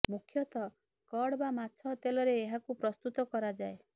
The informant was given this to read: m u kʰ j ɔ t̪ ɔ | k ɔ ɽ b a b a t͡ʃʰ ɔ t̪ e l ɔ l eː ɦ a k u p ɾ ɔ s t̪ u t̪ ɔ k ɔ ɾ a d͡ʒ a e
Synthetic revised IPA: m u kʰ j ɔ t̪ ɔ | k ɔ ɽ b a m a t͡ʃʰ ɔ t̪ e l ɔ ɾ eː ɦ a k u p ɾ ɔ s t̪ u t̪ ɔ k ɔ ɾ a d͡ʒ a e